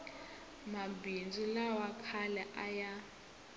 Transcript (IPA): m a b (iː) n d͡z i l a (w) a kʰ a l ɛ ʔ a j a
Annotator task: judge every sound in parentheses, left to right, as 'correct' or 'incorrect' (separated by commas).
incorrect, correct